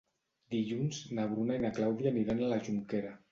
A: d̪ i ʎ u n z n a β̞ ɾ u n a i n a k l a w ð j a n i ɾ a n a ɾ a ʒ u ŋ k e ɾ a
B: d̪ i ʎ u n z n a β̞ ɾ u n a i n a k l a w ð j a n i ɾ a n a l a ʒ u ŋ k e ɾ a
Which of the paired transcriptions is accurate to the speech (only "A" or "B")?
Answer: B